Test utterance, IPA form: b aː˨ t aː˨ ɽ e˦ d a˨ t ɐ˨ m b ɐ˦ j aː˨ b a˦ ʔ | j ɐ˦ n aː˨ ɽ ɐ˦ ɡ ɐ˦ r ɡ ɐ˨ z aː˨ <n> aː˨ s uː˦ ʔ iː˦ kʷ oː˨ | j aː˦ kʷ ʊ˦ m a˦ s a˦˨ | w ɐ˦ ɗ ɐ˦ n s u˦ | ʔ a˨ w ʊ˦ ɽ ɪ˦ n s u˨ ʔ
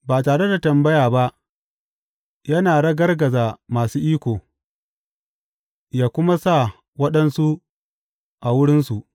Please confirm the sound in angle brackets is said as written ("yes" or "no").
no